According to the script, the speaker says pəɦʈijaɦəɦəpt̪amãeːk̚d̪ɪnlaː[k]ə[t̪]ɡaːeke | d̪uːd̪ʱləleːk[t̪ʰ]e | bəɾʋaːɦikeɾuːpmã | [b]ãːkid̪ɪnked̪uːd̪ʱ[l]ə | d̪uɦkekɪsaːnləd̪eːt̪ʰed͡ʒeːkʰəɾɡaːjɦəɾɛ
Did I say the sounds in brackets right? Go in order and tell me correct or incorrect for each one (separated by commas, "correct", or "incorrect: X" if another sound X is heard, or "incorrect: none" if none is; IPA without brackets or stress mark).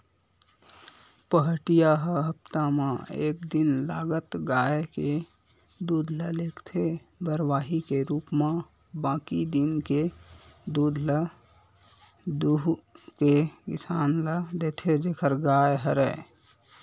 incorrect: ɡ, correct, correct, correct, correct